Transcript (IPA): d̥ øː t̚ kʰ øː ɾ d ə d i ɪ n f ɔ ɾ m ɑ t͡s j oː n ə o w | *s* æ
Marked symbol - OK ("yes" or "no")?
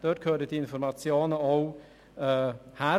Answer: no